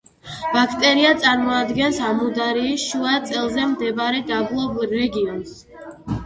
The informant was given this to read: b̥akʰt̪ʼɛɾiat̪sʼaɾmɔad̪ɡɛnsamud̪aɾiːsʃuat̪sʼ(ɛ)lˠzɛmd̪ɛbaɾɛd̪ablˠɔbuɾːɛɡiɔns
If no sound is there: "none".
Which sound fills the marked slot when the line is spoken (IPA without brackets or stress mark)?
ɛ